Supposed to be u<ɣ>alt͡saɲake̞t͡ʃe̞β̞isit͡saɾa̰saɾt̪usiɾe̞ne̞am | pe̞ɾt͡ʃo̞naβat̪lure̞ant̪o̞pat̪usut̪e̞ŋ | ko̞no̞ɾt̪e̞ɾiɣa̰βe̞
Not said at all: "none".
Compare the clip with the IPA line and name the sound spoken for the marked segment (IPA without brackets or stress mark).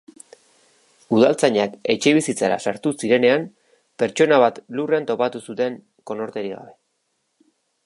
ð